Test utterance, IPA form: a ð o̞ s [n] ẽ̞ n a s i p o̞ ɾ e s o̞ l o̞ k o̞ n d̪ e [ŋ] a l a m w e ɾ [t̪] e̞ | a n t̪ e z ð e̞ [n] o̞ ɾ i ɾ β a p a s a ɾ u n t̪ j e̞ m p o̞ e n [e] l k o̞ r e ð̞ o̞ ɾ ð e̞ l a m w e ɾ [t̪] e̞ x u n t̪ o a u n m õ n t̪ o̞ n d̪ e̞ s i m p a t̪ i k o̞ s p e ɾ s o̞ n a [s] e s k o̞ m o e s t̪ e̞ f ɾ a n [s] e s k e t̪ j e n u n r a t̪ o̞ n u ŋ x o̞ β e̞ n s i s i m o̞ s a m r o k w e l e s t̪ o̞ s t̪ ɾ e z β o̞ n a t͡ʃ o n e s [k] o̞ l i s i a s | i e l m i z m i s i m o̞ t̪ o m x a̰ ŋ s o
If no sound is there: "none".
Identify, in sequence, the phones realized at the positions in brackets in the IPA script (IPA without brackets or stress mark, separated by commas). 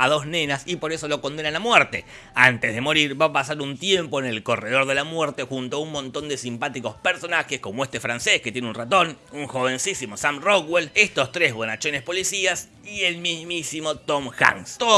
n, n, t̪, m, e, t̪, x, s, p